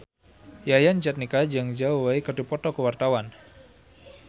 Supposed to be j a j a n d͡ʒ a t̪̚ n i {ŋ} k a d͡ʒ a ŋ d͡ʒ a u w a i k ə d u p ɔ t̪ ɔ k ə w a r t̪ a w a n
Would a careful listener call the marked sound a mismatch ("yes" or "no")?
yes